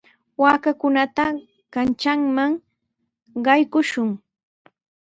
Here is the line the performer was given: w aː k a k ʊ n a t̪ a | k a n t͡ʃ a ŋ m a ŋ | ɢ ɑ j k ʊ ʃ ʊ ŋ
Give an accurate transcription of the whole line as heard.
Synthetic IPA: w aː k a k ʊ n a t̪ a | k a n t͡ʃ a ŋ m a ŋ | ɢ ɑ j k ʊ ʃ ʊ ŋ